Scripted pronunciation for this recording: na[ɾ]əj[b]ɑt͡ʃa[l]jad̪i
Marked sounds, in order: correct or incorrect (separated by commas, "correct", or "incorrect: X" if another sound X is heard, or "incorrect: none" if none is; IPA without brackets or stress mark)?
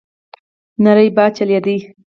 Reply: correct, correct, correct